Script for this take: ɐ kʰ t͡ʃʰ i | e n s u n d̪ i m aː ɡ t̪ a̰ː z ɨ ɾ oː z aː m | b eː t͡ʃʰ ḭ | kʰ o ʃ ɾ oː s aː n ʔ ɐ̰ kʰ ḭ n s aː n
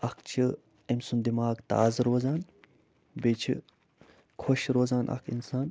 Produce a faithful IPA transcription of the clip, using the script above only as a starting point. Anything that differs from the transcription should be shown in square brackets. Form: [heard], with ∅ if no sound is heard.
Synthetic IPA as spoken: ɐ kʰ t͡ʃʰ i | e [m] s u n d̪ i m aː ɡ t̪ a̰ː z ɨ ɾ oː z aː [n] | b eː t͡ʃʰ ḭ | kʰ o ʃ ɾ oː [z] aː n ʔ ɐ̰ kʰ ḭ n s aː n